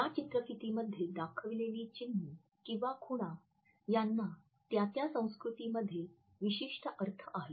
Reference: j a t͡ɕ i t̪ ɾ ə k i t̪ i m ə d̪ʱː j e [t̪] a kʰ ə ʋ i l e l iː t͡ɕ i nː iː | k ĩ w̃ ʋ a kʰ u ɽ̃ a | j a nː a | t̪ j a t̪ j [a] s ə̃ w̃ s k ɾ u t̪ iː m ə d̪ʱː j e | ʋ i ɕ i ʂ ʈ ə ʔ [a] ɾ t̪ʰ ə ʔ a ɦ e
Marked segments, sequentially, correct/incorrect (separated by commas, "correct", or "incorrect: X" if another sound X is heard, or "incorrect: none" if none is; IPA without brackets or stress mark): incorrect: d̪, correct, incorrect: ə